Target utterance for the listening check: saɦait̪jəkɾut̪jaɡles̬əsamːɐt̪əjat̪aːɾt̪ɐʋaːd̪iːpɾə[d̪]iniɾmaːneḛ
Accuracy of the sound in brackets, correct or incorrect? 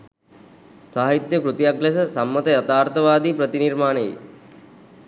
incorrect